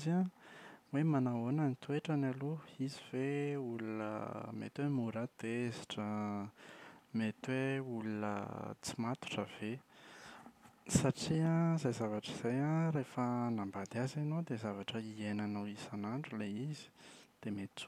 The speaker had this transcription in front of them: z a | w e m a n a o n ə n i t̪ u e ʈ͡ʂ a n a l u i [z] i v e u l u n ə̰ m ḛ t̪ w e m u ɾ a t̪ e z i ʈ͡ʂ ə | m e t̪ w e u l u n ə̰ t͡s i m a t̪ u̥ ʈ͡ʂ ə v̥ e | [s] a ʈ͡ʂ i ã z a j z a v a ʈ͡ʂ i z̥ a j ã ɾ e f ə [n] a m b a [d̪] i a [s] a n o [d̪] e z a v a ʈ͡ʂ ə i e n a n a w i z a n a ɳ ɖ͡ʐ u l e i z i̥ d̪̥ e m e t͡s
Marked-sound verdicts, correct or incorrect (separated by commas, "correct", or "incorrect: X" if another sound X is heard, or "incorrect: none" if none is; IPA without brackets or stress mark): correct, correct, correct, correct, incorrect: z, correct